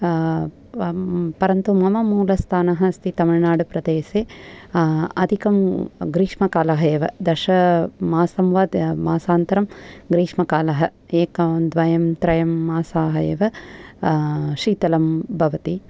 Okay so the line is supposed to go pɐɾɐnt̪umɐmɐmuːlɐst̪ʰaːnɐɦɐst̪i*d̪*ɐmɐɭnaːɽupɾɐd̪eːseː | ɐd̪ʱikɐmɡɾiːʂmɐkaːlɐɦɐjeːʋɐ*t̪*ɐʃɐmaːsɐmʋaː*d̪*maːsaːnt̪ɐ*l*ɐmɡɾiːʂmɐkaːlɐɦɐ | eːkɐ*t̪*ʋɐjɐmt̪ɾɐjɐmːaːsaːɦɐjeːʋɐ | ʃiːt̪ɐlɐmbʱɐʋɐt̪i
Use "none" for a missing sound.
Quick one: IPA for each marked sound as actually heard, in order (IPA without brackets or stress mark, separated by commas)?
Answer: t̪, d̪, d̪, ɾ, d̪